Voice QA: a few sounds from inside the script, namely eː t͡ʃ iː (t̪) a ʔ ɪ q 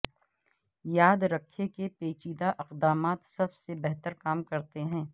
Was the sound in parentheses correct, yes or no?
no